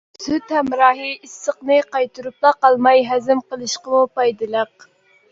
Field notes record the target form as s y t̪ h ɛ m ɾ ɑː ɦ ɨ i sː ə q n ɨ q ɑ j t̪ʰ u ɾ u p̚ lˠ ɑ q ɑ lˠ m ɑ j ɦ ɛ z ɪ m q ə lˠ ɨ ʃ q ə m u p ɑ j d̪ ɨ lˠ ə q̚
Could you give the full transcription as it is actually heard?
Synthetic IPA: s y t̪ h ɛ m ɾ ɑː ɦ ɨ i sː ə q n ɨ q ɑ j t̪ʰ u ɾ u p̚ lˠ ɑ q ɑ lˠ m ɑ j ɦ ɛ z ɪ m q ə lˠ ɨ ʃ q ə m u p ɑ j d̪ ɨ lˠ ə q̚